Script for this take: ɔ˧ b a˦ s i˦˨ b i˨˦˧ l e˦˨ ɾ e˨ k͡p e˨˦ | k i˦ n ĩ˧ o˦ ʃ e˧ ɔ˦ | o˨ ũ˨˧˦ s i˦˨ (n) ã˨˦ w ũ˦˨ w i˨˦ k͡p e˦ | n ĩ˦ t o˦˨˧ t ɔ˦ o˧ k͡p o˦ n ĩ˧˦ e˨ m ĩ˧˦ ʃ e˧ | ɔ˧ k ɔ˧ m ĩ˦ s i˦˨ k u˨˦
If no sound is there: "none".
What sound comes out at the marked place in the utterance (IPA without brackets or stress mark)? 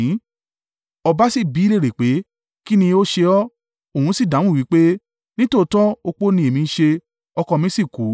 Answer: d